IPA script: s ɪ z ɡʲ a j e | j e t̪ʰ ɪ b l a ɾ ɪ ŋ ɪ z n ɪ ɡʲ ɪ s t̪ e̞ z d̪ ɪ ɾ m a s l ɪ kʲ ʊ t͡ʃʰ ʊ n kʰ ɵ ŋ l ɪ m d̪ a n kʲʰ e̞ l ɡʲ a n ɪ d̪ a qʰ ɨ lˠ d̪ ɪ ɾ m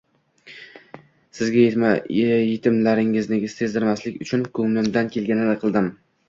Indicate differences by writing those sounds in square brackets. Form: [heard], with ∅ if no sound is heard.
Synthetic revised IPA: s ɪ z ɡʲ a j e | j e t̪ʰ ɪ [m] l a ɾ ɪ ŋ ɪ z n ɪ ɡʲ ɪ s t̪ e̞ z d̪ ɪ ɾ m a s l ɪ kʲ ʊ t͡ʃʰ ʊ n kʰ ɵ ŋ l ɪ m d̪ a n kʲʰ e̞ l ɡʲ a n ɪ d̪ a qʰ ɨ lˠ d̪ ɪ [∅] m